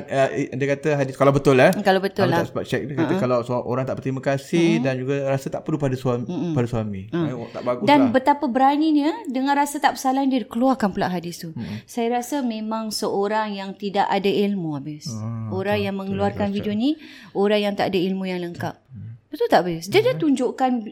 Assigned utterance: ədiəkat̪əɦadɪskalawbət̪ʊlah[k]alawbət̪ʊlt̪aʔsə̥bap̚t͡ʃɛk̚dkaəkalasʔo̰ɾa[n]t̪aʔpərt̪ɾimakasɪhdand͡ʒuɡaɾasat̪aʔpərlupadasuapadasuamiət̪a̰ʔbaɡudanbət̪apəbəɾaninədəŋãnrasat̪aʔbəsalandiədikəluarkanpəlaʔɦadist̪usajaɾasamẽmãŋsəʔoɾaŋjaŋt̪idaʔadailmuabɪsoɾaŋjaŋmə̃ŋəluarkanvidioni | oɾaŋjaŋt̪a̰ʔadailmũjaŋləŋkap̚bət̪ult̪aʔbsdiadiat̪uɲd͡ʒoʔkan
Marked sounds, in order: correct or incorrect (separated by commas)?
correct, incorrect